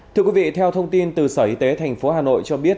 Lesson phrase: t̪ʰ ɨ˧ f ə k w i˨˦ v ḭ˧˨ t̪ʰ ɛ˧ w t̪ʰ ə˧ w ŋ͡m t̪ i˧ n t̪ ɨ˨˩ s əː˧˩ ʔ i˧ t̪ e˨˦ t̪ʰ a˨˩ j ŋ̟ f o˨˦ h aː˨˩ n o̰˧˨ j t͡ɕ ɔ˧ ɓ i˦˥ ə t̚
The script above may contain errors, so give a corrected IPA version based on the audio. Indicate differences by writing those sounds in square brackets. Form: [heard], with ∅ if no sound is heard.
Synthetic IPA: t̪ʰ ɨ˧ [∅] ə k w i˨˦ v ḭ˧˨ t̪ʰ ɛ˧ w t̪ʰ ə˧ w ŋ͡m t̪ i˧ n t̪ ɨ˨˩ s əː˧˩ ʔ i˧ t̪ e˨˦ t̪ʰ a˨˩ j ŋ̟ f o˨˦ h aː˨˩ n o̰˧˨ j t͡ɕ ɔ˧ ɓ i˦˥ ə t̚